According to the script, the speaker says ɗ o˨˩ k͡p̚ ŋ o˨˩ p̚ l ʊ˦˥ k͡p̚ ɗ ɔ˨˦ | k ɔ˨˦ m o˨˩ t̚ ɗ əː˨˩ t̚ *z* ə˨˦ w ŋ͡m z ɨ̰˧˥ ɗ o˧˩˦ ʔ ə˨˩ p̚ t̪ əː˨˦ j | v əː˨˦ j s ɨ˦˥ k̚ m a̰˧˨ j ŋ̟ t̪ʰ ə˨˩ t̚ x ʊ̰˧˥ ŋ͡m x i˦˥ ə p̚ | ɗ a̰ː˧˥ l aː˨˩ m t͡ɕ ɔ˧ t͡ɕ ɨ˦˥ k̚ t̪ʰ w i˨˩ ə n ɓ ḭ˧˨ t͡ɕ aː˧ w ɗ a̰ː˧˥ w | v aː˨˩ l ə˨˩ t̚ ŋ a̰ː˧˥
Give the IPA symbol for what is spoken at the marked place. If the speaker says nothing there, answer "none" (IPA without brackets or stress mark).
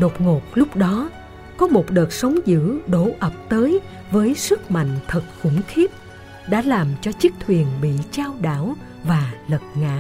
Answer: s